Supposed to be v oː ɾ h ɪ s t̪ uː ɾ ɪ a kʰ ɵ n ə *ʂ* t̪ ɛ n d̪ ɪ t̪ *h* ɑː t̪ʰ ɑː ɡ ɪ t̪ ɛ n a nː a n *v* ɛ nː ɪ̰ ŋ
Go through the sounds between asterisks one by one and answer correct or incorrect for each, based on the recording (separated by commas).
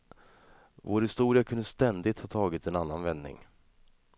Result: incorrect, correct, correct